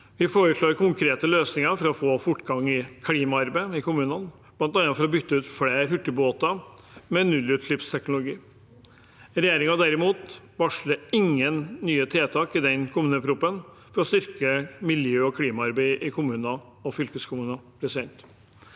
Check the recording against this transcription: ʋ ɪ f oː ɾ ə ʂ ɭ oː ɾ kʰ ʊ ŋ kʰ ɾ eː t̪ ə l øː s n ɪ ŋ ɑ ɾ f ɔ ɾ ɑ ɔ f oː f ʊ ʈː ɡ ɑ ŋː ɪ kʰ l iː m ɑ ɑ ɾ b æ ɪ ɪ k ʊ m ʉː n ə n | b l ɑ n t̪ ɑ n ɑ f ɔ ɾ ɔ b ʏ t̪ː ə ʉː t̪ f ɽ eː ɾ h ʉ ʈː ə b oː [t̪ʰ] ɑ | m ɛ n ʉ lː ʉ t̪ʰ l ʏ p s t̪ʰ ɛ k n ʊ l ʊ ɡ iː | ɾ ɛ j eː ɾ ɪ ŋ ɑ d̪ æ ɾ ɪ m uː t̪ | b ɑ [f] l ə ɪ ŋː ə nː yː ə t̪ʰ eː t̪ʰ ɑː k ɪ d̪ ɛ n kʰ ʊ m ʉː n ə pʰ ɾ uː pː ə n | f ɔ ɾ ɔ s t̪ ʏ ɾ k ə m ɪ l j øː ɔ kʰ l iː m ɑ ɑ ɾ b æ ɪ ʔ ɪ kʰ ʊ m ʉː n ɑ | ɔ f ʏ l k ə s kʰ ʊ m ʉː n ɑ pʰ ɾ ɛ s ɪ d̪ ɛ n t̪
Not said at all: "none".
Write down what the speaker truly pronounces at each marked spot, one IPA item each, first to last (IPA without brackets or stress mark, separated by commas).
t̪, ʂ